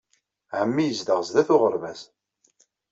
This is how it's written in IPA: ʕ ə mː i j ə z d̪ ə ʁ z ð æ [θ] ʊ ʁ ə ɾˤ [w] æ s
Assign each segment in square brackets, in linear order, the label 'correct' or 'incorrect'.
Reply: correct, incorrect

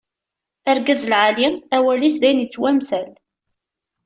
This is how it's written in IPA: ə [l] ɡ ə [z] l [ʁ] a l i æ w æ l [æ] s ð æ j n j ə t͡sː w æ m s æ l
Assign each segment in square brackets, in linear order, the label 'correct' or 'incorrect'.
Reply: incorrect, correct, incorrect, incorrect

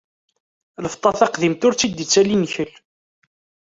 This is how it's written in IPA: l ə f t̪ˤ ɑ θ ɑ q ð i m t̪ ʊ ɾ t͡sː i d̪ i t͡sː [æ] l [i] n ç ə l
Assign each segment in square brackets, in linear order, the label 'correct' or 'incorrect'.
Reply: correct, correct

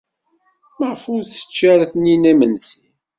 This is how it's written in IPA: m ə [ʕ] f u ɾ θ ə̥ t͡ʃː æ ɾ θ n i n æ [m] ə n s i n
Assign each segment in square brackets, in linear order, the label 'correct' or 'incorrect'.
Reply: incorrect, correct

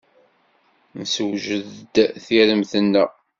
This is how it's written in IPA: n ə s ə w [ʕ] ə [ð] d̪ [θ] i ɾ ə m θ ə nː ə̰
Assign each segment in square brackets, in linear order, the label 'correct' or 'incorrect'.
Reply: incorrect, correct, correct

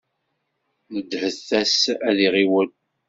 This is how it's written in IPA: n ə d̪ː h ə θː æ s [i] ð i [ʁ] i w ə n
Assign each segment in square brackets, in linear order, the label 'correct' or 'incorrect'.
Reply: incorrect, correct

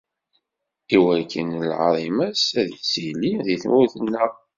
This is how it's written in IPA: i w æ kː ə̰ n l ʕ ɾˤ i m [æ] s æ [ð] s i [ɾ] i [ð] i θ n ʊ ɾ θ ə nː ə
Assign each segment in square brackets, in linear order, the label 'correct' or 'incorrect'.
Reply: correct, correct, incorrect, correct

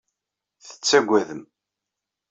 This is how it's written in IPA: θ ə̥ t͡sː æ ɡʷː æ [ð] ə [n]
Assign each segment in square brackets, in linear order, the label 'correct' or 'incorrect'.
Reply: correct, incorrect

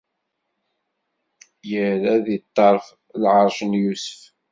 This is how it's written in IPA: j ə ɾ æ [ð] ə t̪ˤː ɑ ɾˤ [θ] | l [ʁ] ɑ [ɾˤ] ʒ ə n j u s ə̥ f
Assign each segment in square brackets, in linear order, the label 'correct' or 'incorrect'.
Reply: correct, incorrect, incorrect, correct

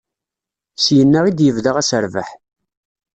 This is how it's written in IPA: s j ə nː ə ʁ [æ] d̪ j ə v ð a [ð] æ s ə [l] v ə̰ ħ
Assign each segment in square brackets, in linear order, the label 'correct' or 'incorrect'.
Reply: incorrect, incorrect, incorrect

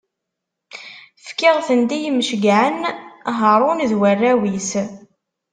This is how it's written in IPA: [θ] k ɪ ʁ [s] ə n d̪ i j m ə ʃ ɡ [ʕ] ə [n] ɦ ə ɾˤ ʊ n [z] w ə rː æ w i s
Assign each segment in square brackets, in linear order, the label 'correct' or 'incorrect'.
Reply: incorrect, incorrect, correct, correct, incorrect

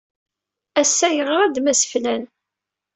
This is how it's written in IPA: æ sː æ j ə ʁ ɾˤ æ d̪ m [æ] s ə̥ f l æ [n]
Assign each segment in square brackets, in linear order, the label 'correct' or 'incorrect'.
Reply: correct, correct

